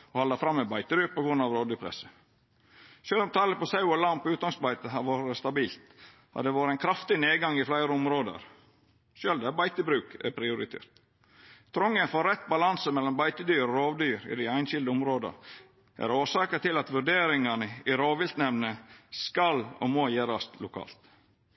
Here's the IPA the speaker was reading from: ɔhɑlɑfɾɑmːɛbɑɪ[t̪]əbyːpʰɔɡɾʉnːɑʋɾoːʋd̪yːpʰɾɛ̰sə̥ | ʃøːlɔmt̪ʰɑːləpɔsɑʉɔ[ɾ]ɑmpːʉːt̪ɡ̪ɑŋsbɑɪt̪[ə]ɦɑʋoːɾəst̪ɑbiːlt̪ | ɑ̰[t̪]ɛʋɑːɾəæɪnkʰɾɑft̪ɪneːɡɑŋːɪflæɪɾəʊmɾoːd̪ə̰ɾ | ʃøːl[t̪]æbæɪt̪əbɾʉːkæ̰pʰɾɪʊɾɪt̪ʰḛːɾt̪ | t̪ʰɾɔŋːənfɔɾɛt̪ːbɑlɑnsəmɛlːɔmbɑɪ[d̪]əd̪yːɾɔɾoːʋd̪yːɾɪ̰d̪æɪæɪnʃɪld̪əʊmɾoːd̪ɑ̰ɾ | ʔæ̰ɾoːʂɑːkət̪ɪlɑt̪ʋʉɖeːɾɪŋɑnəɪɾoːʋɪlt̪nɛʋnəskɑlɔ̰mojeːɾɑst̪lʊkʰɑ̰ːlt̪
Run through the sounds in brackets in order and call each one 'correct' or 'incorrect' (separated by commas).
correct, incorrect, correct, incorrect, incorrect, incorrect